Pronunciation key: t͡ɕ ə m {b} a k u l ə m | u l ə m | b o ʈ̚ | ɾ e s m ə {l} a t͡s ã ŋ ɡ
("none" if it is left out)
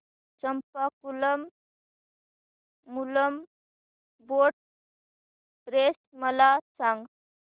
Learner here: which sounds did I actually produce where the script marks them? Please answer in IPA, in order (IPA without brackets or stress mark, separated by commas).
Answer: p, l